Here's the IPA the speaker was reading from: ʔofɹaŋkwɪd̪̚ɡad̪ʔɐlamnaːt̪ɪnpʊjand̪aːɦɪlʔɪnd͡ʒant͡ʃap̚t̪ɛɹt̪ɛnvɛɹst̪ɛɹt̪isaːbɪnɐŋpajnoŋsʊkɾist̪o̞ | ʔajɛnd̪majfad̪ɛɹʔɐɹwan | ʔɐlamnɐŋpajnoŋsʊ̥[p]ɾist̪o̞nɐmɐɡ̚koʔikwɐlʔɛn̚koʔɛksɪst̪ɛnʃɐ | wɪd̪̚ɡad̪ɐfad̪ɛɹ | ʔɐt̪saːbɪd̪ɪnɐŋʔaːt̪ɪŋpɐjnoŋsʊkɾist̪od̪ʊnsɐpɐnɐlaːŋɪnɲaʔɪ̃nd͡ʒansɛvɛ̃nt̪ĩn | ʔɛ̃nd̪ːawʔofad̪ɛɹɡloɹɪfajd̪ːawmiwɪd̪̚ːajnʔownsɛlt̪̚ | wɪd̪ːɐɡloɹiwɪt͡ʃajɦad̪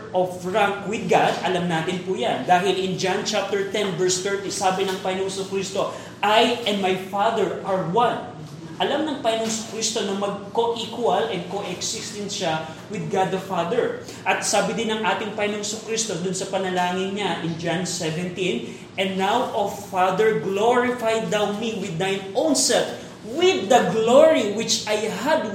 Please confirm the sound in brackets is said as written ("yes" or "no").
no